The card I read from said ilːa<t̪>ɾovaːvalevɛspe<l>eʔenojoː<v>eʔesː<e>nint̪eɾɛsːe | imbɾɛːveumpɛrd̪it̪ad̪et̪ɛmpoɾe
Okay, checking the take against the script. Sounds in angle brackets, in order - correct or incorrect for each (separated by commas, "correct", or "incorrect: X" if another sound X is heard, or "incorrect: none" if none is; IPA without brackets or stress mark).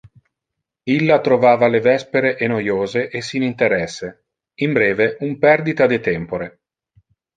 correct, incorrect: ɾ, incorrect: z, incorrect: i